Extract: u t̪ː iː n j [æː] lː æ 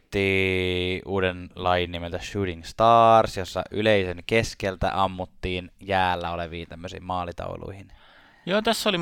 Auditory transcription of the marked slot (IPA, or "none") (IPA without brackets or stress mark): æː